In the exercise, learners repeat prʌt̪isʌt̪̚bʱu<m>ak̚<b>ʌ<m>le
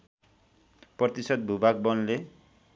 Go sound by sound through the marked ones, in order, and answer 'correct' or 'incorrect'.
incorrect, correct, incorrect

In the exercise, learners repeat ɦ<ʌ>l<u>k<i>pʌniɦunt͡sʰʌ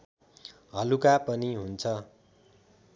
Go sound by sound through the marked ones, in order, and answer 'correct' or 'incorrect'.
correct, correct, incorrect

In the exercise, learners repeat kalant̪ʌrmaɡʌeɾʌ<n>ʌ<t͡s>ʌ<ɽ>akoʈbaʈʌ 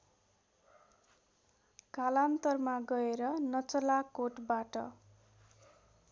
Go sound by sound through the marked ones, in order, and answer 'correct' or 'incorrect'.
correct, correct, incorrect

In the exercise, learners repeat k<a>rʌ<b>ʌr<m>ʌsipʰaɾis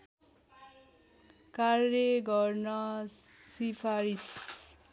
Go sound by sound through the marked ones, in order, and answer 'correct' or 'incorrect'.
correct, incorrect, incorrect

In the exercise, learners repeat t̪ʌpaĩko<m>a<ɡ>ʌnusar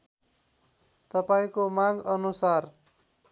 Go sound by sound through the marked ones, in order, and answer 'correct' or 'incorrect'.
correct, correct

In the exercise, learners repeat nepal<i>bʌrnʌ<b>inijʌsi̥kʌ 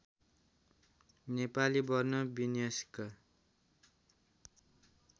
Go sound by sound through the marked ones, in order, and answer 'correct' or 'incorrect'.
correct, correct

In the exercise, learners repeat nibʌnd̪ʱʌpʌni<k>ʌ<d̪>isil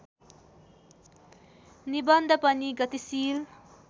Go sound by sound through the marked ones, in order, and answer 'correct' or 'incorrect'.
incorrect, incorrect

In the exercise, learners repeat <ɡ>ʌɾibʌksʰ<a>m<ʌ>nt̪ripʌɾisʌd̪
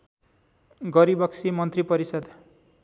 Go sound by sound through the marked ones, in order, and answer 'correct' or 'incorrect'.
correct, incorrect, correct

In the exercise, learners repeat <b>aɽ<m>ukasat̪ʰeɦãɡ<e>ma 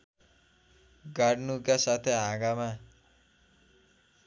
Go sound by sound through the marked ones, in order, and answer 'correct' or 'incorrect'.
incorrect, incorrect, incorrect

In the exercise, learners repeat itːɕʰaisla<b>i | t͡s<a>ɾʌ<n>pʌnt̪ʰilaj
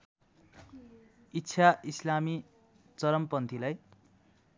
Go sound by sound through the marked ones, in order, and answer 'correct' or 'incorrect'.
incorrect, incorrect, incorrect

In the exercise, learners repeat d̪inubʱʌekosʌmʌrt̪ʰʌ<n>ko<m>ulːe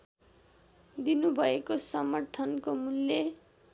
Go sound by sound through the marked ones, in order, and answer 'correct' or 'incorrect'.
correct, correct

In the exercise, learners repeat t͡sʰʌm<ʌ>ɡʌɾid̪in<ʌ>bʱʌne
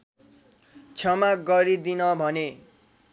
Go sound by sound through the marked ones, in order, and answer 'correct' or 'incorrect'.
incorrect, correct

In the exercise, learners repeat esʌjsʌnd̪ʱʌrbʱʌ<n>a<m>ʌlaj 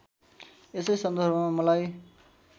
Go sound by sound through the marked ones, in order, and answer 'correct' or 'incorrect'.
incorrect, correct

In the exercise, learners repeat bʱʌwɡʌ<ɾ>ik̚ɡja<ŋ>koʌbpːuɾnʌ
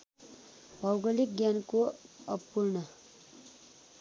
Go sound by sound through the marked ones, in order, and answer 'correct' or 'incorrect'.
incorrect, incorrect

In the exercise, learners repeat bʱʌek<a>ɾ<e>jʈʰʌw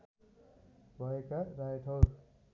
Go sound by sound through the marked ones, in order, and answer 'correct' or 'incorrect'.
correct, incorrect

